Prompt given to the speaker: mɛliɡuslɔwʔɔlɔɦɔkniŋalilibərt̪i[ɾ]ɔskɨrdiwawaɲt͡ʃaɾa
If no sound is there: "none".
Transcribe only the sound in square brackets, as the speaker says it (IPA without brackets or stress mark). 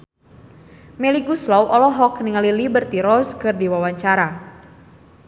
ɾ